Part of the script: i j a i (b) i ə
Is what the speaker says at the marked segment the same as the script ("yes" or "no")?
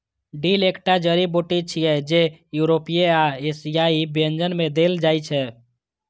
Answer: yes